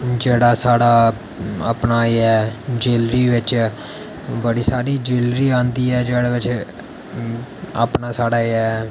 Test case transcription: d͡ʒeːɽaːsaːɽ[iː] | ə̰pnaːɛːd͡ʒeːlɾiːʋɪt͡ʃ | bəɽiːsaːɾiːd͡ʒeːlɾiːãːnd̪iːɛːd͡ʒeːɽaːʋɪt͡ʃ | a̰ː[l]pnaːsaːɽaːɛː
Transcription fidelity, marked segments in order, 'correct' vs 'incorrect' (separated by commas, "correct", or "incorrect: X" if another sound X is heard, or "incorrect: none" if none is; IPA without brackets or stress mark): incorrect: aː, incorrect: none